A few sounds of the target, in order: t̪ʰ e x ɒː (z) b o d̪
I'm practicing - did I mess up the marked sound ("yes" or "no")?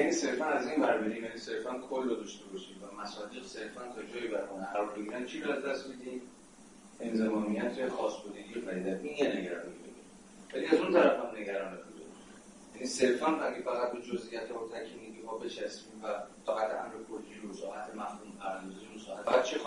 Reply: yes